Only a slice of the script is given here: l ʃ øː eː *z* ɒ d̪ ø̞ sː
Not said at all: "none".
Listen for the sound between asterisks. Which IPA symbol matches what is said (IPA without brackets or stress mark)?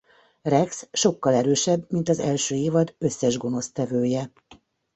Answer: v